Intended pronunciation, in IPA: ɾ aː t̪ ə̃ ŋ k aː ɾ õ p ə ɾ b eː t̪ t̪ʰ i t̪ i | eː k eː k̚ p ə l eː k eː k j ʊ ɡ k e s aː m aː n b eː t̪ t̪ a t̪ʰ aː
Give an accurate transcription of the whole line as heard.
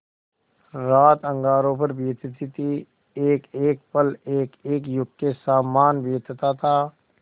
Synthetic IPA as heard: ɾ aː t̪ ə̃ ŋ ɡ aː ɾ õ p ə ɾ b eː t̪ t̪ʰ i t̪ i | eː k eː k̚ p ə l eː k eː k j ʊ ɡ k e s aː m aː n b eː t̪ t̪ a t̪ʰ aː